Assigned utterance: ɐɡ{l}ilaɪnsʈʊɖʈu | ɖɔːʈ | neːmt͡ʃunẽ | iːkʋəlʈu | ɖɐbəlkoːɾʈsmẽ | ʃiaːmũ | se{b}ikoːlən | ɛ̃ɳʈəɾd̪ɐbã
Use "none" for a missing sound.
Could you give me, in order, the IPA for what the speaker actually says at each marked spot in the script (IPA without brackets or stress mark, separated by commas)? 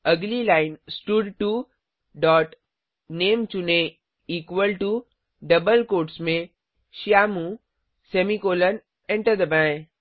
l, m